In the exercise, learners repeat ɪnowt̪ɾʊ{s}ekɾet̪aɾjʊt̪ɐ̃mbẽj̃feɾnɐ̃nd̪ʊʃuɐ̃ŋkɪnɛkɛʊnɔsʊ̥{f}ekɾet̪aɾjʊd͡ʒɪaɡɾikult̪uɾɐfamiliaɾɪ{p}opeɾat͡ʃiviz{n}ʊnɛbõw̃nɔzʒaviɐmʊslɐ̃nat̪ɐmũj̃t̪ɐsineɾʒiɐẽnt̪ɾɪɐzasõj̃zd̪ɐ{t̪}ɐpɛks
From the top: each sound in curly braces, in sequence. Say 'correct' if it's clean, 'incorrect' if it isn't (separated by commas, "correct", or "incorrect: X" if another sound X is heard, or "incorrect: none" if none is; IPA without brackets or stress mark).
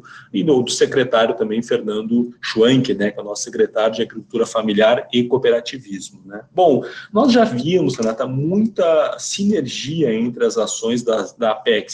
correct, incorrect: s, incorrect: k, incorrect: m, incorrect: d̪